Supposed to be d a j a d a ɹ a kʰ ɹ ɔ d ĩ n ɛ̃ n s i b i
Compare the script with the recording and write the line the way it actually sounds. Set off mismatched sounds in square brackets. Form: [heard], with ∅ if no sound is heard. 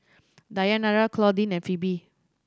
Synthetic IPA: d a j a [n] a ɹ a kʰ [l] ɔ d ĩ n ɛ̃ n [f] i b i